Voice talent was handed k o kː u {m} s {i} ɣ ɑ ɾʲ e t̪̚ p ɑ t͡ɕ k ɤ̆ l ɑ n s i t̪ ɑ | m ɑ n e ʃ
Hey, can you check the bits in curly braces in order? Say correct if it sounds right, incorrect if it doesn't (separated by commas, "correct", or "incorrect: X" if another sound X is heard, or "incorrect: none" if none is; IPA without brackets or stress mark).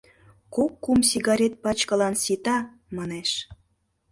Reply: correct, correct